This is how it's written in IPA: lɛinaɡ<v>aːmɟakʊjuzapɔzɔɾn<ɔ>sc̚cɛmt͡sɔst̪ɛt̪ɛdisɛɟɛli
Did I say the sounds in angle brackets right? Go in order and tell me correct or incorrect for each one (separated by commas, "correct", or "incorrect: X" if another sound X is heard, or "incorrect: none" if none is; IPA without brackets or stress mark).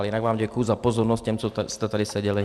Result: incorrect: ʋ, correct